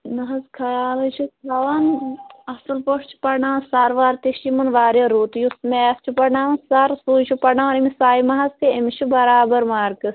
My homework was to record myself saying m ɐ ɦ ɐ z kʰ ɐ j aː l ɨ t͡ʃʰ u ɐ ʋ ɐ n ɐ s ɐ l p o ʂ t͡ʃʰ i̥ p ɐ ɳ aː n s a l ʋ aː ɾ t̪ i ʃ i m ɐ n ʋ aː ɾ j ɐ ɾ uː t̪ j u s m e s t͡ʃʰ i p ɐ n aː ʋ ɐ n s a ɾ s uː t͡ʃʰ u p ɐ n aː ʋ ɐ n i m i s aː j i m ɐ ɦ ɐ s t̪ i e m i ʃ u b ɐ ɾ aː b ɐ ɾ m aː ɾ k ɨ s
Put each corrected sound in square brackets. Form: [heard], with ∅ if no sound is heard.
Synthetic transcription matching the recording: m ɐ ɦ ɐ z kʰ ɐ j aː l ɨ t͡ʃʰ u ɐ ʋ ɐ n ɐ s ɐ l p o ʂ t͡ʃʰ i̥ p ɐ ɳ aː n s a [ɾ] ʋ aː ɾ t̪ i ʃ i m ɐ n ʋ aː ɾ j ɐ ɾ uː t̪ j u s m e s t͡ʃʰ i p ɐ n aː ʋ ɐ n s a ɾ s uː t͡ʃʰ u p ɐ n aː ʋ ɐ n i m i s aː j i m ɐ ɦ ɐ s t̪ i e m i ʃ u b ɐ ɾ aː b ɐ ɾ m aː ɾ k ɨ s

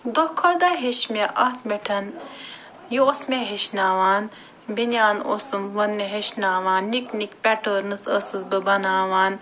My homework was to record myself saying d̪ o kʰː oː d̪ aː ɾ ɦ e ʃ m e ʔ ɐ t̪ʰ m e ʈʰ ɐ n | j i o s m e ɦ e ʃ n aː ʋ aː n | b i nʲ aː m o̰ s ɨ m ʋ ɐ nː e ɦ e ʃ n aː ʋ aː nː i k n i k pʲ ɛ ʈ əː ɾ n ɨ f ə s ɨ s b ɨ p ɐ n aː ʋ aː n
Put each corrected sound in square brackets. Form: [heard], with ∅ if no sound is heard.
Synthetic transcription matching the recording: d̪ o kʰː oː d̪ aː [∅] ɦ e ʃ m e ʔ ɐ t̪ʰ m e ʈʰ ɐ n | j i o s m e ɦ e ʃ n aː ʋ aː n | b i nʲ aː [n] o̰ s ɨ m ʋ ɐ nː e ɦ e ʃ n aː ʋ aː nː i k n i k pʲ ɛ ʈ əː ɾ n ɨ [s] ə s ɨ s b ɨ [b] ɐ n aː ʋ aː n

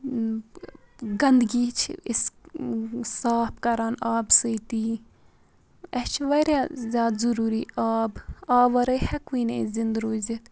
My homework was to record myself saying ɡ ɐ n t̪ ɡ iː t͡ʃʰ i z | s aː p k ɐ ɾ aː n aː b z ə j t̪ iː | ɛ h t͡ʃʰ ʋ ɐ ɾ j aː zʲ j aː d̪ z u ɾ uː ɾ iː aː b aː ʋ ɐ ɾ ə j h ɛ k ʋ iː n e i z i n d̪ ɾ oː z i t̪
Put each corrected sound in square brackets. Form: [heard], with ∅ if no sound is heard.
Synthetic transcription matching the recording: ɡ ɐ n [d̪] ɡ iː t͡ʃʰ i [s] | s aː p k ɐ ɾ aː n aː b [s] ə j t̪ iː | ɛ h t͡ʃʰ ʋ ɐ ɾ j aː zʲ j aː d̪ z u ɾ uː ɾ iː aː b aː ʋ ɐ ɾ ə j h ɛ k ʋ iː n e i z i n d̪ ɾ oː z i t̪

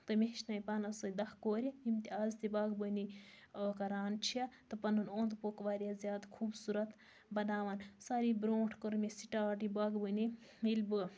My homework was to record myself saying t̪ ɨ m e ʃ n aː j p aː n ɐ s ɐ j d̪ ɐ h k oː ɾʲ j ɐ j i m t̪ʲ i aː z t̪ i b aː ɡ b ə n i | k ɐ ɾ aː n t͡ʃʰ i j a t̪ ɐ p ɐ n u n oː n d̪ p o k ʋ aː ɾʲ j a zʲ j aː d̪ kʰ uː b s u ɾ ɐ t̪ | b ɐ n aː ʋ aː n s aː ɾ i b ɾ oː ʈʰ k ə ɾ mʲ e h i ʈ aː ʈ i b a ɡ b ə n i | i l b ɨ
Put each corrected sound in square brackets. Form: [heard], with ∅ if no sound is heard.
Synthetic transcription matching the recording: t̪ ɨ m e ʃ n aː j p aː n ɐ s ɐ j d̪ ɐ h k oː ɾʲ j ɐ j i m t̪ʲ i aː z t̪ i b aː ɡ b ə n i | k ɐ ɾ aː n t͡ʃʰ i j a t̪ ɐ p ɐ n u n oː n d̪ p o k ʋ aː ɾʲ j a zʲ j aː d̪ kʰ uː b s u ɾ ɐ t̪ | b ɐ n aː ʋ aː n s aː ɾ i b ɾ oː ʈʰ k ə ɾ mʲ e [s] i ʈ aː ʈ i b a ɡ b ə n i | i l b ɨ

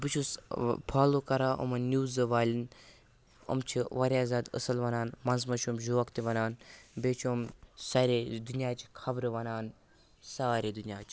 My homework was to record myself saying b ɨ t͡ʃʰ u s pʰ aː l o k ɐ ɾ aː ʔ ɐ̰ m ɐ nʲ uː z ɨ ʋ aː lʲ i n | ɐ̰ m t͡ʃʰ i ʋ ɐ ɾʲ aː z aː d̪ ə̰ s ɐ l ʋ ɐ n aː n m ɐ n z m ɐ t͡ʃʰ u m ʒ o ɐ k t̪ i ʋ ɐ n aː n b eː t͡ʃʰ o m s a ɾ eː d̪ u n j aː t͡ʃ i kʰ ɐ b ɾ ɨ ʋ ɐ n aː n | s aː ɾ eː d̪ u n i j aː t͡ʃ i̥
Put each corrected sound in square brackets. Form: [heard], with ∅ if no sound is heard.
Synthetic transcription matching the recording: b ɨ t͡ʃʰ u s pʰ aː l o k ɐ ɾ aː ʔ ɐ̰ m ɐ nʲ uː z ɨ ʋ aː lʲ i n | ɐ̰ m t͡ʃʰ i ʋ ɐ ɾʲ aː z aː d̪ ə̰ s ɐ l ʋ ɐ n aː n m ɐ n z m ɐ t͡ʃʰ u m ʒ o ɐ k t̪ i ʋ ɐ n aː n b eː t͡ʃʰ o m s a ɾ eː d̪ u n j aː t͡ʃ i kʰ ɐ b ɾ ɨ ʋ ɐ n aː n | s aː ɾ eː d̪ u n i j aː t͡ʃ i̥

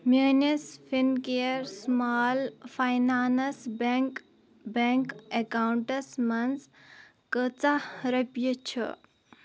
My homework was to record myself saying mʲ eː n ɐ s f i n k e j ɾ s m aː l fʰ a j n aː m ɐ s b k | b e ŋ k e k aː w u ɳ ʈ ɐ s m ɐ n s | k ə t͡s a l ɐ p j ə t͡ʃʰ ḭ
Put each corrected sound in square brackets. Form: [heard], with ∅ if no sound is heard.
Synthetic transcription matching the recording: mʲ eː n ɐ s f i n k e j ɾ s m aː l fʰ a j n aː [n] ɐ s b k | b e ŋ k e k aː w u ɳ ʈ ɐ s m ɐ n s | k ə t͡s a [ɾ] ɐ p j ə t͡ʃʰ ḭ

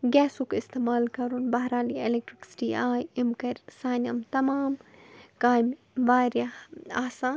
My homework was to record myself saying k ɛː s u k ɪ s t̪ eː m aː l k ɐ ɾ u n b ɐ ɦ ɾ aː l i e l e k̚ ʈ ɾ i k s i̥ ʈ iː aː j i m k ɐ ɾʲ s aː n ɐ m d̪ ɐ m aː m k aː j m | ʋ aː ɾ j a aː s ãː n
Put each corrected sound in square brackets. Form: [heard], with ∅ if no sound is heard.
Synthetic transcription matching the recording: [ɡ] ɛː s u k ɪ s t̪ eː m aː l k ɐ ɾ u n b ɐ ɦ ɾ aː l i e l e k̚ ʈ ɾ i k s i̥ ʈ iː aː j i m k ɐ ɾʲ s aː n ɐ m [t̪] ɐ m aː m k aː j m | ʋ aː ɾ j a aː s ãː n

